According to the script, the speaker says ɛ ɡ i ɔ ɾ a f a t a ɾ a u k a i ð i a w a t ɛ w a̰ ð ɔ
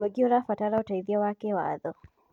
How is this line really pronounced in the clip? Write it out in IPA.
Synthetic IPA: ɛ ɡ i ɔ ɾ a f a t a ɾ a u t a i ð i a w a k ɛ w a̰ ð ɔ